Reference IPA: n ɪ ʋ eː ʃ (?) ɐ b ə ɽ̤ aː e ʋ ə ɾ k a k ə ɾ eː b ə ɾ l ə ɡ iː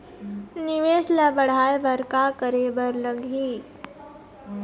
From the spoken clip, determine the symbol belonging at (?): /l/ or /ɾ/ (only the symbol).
l